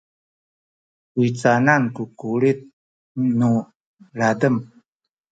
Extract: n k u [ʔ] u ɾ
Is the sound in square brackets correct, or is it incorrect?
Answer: incorrect